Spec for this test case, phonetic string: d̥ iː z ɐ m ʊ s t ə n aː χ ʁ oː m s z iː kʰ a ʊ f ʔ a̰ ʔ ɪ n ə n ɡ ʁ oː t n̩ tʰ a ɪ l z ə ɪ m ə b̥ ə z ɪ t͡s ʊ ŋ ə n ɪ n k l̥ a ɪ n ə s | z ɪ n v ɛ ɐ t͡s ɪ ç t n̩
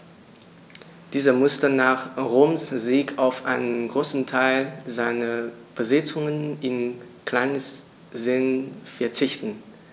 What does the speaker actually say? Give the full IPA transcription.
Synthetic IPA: d̥ iː z ɐ m ʊ s t ə n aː χ ʁ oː m s z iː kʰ a ʊ f ʔ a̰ ɪ n ə n ɡ ʁ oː s n̩ tʰ a ɪ l z a ɪ n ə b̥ ə z ɪ t͡s ʊ ŋ ə n ɪ n k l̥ a ɪ n ə s | z ɪ n f ɛ ɐ t͡s ɪ ç t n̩